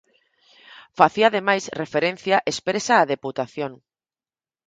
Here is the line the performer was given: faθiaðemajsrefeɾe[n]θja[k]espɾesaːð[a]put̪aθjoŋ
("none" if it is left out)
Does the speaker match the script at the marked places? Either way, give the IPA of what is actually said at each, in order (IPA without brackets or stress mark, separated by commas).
n, ʔ, e